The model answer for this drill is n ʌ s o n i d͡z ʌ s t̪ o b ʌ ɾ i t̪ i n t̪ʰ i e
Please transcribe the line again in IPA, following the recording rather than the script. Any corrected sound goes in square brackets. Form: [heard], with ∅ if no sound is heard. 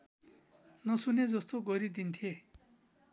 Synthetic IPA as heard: n ʌ s [u] n [e] d͡z ʌ s t̪ o [ɡ] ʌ ɾ i [d̪] i n t̪ʰ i e